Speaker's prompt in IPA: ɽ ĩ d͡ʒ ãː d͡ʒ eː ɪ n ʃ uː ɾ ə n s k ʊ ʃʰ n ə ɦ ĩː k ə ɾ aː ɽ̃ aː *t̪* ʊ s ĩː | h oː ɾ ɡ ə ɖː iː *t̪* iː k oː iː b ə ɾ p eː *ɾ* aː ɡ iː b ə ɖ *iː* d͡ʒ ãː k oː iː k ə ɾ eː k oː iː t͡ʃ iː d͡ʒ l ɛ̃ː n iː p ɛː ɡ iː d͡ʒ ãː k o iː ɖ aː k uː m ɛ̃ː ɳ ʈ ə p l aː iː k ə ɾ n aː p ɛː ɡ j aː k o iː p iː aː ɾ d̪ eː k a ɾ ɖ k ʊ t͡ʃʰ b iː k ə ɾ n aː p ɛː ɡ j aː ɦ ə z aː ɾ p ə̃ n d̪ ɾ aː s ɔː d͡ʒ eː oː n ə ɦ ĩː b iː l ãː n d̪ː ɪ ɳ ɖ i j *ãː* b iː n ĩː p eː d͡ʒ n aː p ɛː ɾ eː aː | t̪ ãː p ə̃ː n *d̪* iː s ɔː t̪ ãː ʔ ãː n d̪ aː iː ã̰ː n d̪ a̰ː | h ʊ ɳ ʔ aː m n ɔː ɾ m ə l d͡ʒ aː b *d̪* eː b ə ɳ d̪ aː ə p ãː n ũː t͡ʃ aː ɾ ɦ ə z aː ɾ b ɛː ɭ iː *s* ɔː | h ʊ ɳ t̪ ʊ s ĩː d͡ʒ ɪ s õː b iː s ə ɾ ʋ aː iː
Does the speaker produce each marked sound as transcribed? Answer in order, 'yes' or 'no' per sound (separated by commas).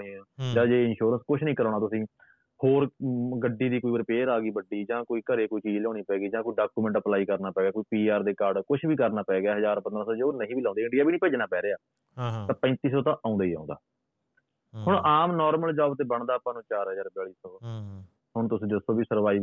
yes, no, yes, yes, no, no, no, yes